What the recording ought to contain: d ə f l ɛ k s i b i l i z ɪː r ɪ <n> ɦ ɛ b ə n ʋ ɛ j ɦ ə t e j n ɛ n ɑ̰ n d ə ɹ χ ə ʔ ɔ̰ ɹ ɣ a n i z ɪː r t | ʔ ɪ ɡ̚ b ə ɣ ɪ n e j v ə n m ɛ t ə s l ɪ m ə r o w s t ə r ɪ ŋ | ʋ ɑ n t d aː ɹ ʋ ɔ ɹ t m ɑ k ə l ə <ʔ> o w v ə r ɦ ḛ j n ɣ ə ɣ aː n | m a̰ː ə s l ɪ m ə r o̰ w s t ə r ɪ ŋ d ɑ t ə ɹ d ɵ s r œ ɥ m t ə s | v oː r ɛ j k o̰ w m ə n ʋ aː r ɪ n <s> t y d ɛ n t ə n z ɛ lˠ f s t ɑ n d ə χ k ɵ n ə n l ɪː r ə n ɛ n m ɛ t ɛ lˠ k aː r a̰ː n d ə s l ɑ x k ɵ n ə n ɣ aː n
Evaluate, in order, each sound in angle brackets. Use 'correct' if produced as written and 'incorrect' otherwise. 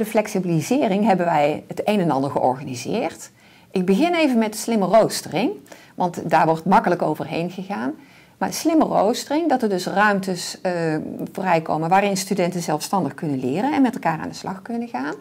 incorrect, incorrect, correct

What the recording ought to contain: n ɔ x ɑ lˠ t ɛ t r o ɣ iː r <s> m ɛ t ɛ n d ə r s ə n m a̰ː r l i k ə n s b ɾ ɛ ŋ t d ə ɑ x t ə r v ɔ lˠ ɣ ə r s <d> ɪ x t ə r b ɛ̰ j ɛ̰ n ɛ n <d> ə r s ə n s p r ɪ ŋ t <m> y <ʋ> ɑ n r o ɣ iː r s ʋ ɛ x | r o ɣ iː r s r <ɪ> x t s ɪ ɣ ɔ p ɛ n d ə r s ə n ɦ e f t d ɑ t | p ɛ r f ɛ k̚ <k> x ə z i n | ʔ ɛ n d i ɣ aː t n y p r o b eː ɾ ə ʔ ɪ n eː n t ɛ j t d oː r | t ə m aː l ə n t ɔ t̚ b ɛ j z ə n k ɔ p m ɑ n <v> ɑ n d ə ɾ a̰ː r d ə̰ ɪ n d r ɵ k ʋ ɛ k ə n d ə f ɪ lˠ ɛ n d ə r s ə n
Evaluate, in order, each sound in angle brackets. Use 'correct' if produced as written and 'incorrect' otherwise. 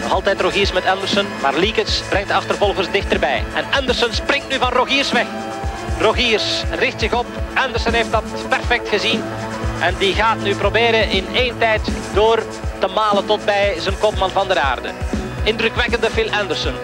correct, correct, correct, incorrect, incorrect, correct, incorrect, correct

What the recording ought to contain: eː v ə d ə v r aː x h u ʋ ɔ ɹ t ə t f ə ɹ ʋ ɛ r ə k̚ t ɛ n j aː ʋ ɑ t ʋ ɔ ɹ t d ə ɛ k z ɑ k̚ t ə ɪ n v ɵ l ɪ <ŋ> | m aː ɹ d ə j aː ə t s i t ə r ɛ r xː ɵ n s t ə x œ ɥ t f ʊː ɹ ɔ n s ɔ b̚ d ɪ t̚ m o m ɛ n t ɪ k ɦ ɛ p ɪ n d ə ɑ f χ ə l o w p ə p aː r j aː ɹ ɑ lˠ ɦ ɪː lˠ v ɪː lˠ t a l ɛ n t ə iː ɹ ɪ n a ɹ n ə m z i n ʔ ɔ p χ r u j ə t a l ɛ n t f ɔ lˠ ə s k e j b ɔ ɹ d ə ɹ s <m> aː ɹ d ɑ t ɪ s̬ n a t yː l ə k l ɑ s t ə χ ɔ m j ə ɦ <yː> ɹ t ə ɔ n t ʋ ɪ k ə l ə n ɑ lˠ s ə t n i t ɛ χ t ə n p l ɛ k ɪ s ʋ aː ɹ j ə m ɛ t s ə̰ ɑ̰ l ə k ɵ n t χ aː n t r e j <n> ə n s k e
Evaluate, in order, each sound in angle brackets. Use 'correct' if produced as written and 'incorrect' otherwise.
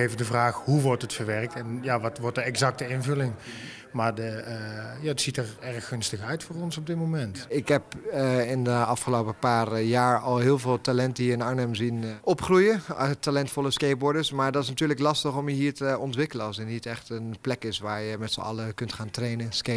correct, correct, incorrect, correct

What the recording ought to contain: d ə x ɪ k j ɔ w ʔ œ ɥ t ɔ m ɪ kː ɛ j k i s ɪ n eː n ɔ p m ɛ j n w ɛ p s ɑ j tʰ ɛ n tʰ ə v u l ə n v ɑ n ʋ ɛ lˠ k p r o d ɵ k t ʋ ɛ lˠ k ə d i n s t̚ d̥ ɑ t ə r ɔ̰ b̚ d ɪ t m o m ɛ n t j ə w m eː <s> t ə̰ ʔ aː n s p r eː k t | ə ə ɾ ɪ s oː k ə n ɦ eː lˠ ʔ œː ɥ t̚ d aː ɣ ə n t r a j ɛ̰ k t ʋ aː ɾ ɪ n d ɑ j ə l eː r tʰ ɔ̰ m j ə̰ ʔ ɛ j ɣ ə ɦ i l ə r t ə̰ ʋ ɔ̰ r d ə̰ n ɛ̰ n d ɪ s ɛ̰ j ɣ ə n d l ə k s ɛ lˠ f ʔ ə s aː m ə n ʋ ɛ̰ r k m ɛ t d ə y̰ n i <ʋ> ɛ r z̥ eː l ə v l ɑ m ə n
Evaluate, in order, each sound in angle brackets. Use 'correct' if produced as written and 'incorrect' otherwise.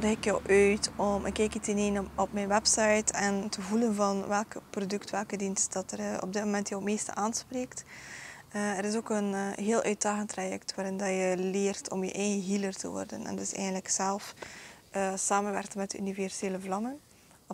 correct, incorrect

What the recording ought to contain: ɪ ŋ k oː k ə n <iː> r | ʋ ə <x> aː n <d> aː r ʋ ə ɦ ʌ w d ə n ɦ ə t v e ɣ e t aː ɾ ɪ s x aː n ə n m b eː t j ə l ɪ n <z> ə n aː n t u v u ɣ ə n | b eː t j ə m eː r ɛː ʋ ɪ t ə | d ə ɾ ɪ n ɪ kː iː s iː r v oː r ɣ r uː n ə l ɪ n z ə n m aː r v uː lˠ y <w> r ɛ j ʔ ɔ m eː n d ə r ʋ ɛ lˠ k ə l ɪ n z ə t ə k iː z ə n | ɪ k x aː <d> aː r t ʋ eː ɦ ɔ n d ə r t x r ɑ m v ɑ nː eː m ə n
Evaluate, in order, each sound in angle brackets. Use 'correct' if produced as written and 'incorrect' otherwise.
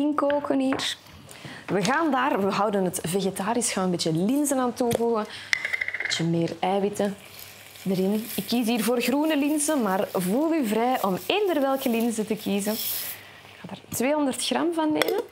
correct, incorrect, correct, correct, incorrect, correct

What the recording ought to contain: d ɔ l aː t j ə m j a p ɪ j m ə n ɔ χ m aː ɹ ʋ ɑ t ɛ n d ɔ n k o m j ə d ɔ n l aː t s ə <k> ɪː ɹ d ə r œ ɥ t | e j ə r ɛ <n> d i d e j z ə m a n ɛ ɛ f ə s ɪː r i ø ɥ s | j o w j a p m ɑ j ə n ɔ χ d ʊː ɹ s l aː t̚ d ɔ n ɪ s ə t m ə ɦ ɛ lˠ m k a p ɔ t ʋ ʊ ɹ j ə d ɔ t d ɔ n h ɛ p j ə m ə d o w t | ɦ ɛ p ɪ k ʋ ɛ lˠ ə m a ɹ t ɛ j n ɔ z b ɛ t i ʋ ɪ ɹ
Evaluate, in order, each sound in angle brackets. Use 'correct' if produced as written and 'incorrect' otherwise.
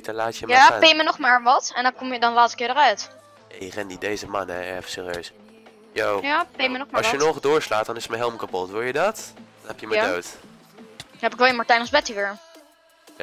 correct, correct

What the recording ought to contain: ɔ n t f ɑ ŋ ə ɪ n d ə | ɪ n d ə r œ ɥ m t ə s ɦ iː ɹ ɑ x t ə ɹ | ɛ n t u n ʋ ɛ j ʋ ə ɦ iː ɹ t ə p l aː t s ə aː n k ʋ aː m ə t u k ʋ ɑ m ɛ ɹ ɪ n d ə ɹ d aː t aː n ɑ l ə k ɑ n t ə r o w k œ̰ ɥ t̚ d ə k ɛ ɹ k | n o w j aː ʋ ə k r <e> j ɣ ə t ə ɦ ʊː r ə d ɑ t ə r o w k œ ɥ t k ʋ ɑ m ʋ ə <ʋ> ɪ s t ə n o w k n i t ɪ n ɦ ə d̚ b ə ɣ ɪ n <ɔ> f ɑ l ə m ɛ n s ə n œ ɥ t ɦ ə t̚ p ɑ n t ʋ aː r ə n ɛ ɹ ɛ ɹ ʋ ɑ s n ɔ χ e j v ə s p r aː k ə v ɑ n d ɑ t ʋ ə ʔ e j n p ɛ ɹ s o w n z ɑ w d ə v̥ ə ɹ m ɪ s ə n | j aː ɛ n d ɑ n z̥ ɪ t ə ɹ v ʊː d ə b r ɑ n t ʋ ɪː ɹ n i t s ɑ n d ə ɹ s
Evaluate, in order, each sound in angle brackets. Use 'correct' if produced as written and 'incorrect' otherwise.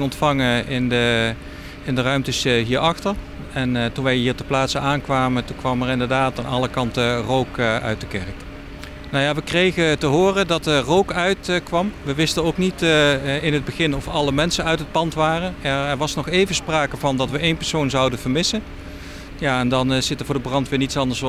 correct, correct, correct

